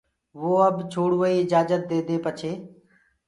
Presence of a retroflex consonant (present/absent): present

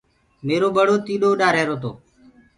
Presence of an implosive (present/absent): present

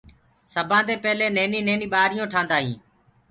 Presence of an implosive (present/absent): present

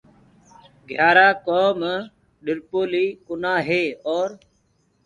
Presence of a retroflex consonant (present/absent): absent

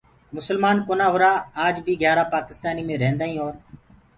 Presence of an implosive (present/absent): absent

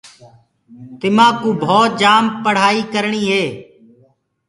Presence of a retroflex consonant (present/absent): present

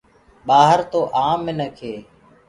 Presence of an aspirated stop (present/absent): present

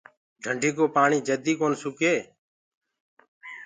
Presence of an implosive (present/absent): absent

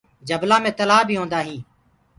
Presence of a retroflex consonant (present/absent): absent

